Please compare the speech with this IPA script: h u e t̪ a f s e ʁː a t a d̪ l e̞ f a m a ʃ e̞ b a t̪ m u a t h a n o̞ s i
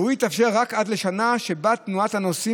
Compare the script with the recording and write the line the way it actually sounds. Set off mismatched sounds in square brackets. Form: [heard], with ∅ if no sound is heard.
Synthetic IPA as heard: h u [i] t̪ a f [ʃ] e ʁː a [k] a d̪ l e̞ [ʃ] a [n] a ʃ e̞ b a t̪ [n] u a t h a n o̞ s i